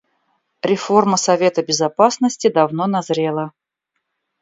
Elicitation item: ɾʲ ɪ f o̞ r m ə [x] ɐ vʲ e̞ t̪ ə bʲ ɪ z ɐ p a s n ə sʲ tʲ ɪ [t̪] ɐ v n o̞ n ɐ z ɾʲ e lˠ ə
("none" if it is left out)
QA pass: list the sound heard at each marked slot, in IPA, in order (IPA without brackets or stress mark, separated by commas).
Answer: s, d̪